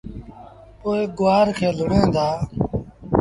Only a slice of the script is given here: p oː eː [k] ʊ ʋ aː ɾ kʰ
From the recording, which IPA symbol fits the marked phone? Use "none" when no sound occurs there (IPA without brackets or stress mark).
ɡ